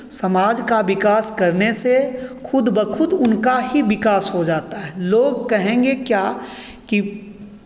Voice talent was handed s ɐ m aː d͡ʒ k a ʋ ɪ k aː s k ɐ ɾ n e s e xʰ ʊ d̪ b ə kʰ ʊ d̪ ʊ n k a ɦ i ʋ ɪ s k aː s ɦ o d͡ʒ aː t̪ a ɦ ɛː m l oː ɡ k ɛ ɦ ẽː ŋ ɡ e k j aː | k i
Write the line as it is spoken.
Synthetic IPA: s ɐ m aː d͡ʒ k a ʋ ɪ k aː s k ɐ ɾ n e s e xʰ ʊ d̪ b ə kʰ ʊ d̪ ʊ n k a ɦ i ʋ ɪ k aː s ɦ o d͡ʒ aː t̪ a ɦ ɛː l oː ɡ k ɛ ɦ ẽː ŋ ɡ e k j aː | k i

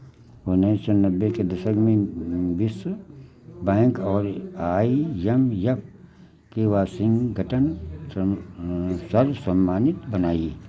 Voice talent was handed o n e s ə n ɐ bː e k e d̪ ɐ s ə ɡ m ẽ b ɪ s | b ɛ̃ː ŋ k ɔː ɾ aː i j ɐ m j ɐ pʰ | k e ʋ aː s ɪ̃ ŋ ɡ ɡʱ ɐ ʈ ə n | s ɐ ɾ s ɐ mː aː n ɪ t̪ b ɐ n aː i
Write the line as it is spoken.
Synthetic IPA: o n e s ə n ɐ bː e k e d̪ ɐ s ə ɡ m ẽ b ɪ s | b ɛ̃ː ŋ k ɔː ɾ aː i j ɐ m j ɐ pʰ | k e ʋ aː s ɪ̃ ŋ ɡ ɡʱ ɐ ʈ ə n | s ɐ ɾ s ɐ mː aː n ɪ t̪ b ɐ n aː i

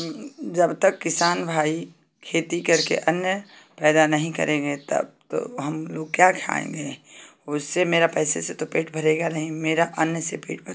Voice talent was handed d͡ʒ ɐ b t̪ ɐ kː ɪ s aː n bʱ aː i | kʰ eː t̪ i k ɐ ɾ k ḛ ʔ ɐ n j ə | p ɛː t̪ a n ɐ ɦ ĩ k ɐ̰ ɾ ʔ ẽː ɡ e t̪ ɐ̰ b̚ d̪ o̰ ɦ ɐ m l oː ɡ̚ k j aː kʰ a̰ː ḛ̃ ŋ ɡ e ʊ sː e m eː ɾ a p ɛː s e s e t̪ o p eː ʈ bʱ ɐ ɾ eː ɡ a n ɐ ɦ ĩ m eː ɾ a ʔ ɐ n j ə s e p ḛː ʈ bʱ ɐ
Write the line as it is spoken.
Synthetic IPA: d͡ʒ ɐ b t̪ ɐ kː ɪ s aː n bʱ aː i | kʰ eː t̪ i k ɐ ɾ k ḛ ʔ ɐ n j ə | p ɛː d̪ a n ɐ ɦ ĩ k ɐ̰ ɾ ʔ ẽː ɡ e t̪ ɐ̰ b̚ t̪ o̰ ɦ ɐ m l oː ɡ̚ k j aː kʰ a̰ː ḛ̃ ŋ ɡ e ʊ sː e m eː ɾ a p ɛː s e s e t̪ o p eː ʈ bʱ ɐ ɾ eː ɡ a n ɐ ɦ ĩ m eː ɾ a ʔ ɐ n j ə s e p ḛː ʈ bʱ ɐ

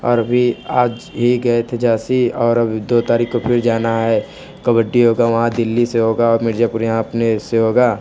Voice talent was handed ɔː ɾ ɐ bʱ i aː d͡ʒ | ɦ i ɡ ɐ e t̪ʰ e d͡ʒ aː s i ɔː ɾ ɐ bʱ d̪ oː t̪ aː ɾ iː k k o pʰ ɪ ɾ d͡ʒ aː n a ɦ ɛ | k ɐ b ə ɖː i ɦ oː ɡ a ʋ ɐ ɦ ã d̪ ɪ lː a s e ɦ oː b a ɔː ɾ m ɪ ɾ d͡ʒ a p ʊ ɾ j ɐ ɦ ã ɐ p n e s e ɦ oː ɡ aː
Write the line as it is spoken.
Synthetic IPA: ɔː ɾ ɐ bʱ i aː d͡ʒ | ɦ i ɡ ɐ e t̪ʰ e d͡ʒ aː s i ɔː ɾ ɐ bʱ d̪ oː t̪ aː ɾ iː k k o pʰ ɪ ɾ d͡ʒ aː n a ɦ ɛ | k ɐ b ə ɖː i ɦ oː ɡ a ʋ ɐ ɦ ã d̪ ɪ lː i s e ɦ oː ɡ a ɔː ɾ m ɪ ɾ d͡ʒ a p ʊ ɾ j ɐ ɦ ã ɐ p n e s e ɦ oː ɡ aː

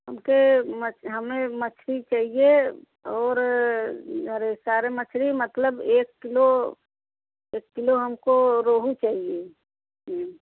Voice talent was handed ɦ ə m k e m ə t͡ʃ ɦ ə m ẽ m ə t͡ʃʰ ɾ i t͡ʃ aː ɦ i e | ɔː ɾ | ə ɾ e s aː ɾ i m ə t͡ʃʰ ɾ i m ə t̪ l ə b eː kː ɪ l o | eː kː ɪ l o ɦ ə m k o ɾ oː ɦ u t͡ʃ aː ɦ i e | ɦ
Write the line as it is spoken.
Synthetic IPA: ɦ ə m k e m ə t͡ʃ ɦ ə m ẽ m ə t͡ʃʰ ɾ i t͡ʃ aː ɦ i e | ɔː ɾ | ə ɾ e s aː ɾ e m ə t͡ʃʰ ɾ i m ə t̪ l ə b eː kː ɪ l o | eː kː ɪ l o ɦ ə m k o ɾ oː ɦ u t͡ʃ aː ɦ i e | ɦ

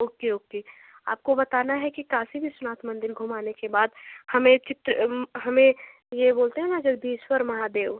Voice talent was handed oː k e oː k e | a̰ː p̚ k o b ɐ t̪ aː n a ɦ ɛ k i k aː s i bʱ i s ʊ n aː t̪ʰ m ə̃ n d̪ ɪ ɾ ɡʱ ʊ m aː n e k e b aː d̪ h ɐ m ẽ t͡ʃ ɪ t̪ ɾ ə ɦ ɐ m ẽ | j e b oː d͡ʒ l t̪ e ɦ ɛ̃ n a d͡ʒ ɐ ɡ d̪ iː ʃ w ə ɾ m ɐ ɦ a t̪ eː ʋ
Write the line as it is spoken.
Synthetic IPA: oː k e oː k e | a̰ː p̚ k o b ɐ t̪ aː n a ɦ ɛ k i k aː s i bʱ i s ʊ n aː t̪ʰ m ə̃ n d̪ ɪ ɾ ɡʱ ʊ m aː n e k e b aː d̪ h ɐ m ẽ t͡ʃ ɪ t̪ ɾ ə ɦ ɐ m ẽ | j e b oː l t̪ e ɦ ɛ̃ n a d͡ʒ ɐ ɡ d̪ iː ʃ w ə ɾ m ɐ ɦ a d̪ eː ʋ

